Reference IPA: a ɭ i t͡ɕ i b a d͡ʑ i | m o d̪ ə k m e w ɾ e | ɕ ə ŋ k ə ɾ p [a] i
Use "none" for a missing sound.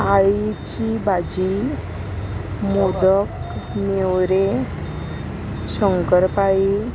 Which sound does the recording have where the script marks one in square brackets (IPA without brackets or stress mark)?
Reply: a